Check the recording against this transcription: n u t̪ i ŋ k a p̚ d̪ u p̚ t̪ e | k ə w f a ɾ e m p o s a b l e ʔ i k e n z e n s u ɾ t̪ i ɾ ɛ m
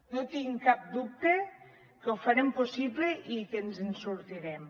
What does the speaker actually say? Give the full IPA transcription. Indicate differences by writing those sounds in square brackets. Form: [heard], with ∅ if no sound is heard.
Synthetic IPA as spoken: n [o] t̪ i ŋ k a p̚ d̪ u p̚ t̪ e | k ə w f a ɾ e m p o s [i] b l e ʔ i k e n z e n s u ɾ t̪ i ɾ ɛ m